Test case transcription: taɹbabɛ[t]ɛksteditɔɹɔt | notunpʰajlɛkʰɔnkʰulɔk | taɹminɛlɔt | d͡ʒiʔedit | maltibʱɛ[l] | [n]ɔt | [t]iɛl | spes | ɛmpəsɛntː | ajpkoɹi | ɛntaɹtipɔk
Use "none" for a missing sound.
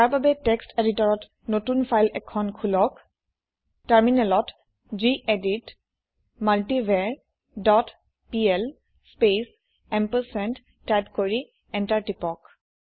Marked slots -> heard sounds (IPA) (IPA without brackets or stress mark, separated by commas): t, ɹ, d, p